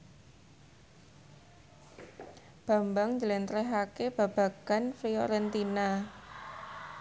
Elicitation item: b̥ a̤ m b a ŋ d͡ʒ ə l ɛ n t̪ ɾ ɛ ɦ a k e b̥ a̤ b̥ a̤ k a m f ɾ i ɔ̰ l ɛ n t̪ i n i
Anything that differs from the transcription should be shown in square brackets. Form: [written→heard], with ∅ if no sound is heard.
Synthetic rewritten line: b̥ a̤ m b a ŋ d͡ʒ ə l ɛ n t̪ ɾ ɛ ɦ a k e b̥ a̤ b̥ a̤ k a [m→n] f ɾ i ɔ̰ [l→ɾ] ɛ n t̪ i n [i→a]